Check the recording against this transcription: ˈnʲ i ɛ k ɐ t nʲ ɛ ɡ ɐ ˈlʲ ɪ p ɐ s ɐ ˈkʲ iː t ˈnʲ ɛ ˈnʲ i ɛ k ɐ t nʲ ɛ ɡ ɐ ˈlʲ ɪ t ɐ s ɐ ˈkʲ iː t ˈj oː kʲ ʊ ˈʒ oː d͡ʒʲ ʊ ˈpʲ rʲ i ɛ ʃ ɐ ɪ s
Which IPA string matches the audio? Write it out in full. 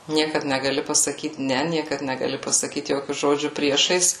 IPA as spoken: ˈnʲ i ɛ k ɐ t nʲ ɛ ɡ ɐ ˈlʲ ɪ p ɐ s ɐ ˈkʲ iː t ˈnʲ ɛ ˈnʲ i ɛ k ɐ t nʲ ɛ ɡ ɐ ˈlʲ ɪ p ɐ s ɐ ˈkʲ iː t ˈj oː kʲ ʊ ˈʒ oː d͡ʒʲ ʊ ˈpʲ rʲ i ɛ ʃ ɐ ɪ s